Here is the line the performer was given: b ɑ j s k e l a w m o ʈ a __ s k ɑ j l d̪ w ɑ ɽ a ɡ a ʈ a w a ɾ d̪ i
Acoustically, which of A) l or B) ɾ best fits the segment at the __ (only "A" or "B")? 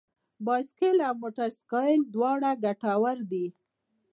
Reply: B